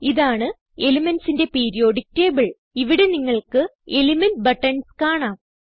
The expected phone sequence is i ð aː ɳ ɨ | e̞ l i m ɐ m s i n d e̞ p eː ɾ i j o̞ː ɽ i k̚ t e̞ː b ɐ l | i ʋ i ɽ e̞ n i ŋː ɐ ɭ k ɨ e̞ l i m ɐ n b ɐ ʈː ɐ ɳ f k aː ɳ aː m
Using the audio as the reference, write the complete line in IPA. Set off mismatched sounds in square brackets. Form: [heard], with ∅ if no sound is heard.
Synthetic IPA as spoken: i ð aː ɳ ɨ | e̞ l i m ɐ [n] s i n d e̞ p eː ɾ i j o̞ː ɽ i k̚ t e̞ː b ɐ [ɭ] | i ʋ i ɽ e̞ n i ŋː ɐ ɭ k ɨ e̞ l i m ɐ n b ɐ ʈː ɐ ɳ [s] k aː ɳ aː m